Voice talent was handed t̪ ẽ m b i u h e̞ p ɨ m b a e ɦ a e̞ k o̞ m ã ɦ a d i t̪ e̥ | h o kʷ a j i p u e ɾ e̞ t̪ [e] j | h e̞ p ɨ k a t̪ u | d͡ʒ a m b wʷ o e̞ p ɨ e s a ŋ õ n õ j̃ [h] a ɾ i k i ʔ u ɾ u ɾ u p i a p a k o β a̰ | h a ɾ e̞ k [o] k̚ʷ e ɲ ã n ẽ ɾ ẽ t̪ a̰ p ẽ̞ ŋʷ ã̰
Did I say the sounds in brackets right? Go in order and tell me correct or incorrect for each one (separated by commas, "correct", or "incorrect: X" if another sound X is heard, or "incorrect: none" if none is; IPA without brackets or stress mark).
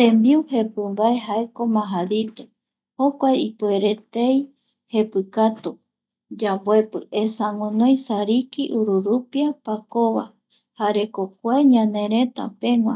correct, incorrect: s, correct